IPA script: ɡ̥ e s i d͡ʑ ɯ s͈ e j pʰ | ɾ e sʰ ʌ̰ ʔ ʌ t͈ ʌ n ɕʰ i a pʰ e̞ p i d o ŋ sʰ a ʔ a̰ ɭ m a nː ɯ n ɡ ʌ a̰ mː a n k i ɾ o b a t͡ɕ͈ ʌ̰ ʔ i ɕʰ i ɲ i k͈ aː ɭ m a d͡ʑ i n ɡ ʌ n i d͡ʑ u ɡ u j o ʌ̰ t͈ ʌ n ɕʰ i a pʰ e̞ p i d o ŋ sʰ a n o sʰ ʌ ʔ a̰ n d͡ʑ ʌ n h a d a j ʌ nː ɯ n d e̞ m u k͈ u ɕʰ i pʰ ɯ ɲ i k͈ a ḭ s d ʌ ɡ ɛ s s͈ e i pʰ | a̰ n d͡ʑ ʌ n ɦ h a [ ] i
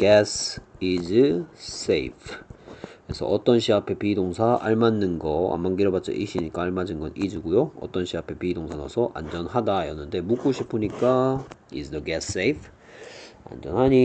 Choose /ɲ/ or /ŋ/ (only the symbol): ɲ